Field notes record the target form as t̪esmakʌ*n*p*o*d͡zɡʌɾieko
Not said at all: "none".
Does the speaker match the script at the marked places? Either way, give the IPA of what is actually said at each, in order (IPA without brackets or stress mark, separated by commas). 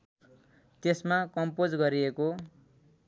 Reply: m, o